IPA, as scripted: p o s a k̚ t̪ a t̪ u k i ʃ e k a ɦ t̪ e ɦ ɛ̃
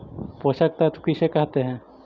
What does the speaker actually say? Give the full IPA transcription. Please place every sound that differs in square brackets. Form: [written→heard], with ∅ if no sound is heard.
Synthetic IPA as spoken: p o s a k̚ t̪ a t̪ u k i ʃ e k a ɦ t̪ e ɦ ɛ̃